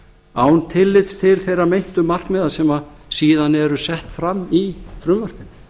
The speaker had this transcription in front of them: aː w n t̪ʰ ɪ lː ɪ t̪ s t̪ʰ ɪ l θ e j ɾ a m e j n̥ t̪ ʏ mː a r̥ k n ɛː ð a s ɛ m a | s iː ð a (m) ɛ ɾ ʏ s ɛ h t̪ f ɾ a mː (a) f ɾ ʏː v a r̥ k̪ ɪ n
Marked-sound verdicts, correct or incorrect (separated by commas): incorrect, incorrect